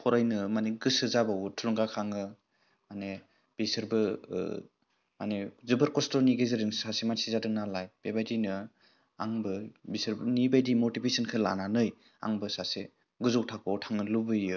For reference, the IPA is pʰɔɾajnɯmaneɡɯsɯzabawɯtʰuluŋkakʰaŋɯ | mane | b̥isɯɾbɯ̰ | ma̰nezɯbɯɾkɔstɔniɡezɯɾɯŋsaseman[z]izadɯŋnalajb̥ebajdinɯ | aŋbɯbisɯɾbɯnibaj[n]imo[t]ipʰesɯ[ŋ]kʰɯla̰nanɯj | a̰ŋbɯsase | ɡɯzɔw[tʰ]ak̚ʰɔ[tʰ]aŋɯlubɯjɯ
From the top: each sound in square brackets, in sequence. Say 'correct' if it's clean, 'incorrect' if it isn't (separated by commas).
incorrect, incorrect, correct, incorrect, correct, correct